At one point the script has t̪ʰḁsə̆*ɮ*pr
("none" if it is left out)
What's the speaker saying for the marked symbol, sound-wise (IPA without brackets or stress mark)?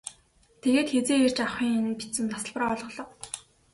ɮ